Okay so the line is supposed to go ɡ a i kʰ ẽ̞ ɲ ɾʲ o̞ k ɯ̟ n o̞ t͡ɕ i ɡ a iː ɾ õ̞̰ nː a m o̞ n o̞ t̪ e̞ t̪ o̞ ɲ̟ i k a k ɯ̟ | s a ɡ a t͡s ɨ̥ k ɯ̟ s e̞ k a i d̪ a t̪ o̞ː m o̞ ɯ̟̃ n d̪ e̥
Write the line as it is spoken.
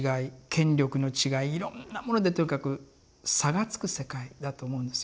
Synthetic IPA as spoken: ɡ a i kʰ ẽ̞ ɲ ɾʲ o̞ k ɯ̟ n o̞ t͡ɕ i ɡ a iː ɾ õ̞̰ nː a m o̞ n o̞ d̪ e̞ t̪ o̞ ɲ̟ i k a k ɯ̟ | s a ɡ a t͡s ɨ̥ k ɯ̟ s e̞ k a i d̪ a t̪ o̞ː m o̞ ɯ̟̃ n d̪ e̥